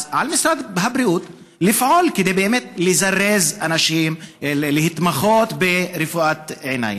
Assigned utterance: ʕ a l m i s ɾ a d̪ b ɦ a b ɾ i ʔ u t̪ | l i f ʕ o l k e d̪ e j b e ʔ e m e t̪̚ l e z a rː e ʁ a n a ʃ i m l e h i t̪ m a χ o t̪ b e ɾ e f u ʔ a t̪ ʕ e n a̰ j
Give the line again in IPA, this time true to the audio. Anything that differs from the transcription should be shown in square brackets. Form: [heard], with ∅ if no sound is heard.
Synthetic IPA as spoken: ʕ a l m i s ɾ a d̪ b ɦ a b ɾ i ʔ u t̪ | l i f ʕ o l k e d̪ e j b e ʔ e m e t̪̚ l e z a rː e [z] a n a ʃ i m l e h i t̪ m a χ o t̪ b e ɾ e f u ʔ a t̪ ʕ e n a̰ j